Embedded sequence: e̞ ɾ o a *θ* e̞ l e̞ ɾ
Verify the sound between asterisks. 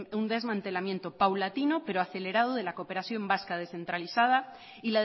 correct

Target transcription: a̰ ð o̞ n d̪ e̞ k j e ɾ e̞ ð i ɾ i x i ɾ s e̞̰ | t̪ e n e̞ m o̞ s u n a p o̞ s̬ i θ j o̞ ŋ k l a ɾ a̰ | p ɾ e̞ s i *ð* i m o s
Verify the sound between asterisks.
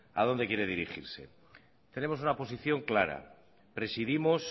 correct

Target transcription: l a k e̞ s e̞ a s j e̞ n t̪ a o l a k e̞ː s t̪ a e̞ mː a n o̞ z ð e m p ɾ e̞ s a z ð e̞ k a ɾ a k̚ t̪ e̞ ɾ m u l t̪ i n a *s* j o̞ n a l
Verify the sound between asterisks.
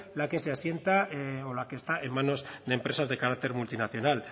incorrect: θ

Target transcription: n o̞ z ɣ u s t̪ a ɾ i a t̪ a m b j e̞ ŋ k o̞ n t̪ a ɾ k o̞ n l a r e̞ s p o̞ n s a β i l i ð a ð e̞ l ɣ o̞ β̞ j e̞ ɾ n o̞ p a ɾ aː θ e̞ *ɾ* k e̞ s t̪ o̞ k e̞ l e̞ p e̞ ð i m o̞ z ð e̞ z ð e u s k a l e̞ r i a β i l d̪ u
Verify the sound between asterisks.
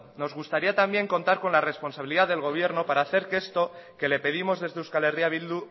correct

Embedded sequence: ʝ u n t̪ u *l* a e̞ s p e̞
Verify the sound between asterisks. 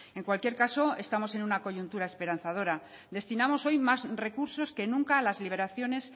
incorrect: ɾ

